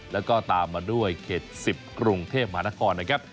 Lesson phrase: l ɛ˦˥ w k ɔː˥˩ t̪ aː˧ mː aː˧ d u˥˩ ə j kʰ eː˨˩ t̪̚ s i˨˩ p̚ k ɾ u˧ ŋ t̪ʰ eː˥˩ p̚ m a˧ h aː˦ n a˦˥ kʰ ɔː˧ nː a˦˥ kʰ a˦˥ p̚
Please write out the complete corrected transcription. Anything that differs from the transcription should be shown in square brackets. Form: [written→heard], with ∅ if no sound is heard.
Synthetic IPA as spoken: l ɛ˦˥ w k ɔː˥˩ t̪ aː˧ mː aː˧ d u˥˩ ə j kʰ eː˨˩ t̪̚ s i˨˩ p̚ k ɾ u˧ ŋ t̪ʰ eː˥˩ p̚ m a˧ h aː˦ n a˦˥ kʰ ɔː˧ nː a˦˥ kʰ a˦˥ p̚